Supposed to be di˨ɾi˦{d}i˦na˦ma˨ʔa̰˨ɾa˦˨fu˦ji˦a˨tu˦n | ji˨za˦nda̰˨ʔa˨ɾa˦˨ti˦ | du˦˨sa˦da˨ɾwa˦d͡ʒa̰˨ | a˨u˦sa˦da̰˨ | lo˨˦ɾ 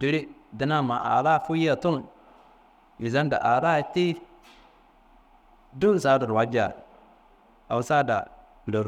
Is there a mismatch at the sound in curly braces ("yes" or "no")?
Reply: no